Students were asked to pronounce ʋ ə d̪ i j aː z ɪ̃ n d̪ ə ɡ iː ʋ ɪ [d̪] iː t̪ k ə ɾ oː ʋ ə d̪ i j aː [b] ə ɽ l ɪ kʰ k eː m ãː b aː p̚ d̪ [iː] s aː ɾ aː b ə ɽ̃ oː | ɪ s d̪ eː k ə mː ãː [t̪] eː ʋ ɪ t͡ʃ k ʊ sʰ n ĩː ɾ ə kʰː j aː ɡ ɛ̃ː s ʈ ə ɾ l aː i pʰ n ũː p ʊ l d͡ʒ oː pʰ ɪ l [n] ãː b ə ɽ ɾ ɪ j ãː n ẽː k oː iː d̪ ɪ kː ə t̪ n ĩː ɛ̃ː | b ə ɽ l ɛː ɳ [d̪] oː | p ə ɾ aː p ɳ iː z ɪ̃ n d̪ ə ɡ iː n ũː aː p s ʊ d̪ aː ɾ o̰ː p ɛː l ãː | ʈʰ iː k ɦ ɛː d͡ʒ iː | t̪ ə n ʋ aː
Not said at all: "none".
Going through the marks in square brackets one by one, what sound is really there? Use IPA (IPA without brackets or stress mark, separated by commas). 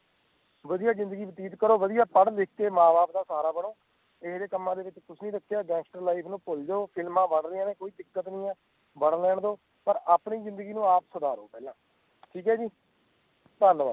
t̪, p, aː, d̪, m, d̪